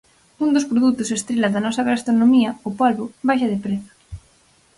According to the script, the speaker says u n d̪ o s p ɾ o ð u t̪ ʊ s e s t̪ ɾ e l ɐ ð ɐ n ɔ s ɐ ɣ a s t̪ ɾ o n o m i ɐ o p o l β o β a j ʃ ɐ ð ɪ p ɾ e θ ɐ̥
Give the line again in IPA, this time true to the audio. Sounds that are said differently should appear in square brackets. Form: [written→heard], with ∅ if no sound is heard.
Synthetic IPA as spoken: u n d̪ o s p ɾ o ð u t̪ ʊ s e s t̪ ɾ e l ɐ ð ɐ n ɔ s ɐ ɣ a s t̪ ɾ o n o m i ɐ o p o l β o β a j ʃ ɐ ð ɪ p ɾ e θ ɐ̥